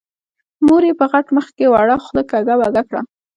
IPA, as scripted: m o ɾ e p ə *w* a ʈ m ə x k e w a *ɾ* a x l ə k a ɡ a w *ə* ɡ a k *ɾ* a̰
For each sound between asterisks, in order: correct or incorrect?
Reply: incorrect, incorrect, incorrect, incorrect

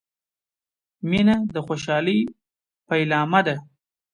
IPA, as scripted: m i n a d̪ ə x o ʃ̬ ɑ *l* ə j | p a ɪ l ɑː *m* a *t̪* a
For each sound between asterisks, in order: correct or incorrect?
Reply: correct, correct, incorrect

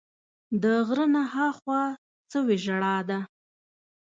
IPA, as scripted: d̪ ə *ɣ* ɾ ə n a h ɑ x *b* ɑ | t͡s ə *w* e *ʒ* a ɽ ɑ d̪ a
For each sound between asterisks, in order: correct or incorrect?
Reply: correct, incorrect, correct, correct

